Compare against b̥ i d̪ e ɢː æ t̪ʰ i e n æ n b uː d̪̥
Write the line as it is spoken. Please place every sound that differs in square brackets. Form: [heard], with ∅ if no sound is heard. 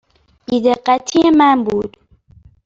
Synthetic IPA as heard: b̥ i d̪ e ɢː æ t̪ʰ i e [m] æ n b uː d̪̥